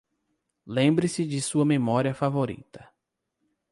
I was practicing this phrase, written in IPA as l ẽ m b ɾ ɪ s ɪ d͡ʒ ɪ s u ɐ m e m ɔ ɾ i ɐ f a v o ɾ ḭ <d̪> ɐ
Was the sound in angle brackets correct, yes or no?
no